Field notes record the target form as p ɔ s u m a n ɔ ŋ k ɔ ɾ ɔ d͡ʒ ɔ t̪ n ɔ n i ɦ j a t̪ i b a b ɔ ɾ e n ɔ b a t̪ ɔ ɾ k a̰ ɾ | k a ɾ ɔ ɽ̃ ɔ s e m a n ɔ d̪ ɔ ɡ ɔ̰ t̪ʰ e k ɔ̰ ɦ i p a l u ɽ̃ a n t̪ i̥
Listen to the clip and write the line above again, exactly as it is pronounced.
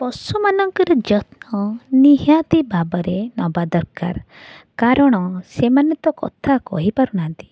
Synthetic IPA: p ɔ s u m a n ɔ ŋ k ɔ ɾ ɔ d͡ʒ ɔ t̪ n ɔ n i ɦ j a t̪ i b a b ɔ ɾ e n ɔ b a d̪ ɔ ɾ k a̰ ɾ | k a ɾ ɔ ɽ̃ ɔ s e m a n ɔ t̪ ɔ k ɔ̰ t̪ʰ a k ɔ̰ ɦ i p a ɾ u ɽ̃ a n t̪ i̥